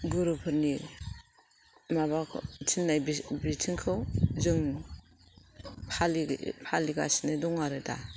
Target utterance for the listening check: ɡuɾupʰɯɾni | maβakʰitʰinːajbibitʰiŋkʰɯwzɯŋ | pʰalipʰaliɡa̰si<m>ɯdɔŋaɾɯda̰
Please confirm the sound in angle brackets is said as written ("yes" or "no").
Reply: no